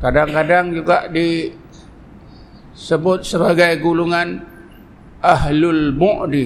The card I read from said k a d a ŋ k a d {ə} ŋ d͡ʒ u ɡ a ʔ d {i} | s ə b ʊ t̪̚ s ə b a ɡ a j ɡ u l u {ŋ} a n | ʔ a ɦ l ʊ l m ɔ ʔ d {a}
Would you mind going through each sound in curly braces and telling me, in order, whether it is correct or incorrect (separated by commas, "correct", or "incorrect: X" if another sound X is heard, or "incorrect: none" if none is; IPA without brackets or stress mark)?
incorrect: a, correct, correct, incorrect: i